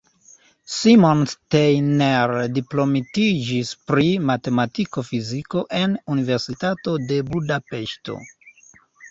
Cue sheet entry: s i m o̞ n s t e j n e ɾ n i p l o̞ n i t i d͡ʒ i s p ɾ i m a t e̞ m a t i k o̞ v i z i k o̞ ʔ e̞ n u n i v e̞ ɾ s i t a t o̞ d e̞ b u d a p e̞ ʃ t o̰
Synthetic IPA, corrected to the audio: s i m o̞ n s t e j n e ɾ d i p l o̞ m i t i d͡ʒ i s p ɾ i m a t e̞ m a t i k o̞ f i z i k o̞ ʔ e̞ n u n i v e̞ ɾ s i t a t o̞ d e̞ b u d a p e̞ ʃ t o̰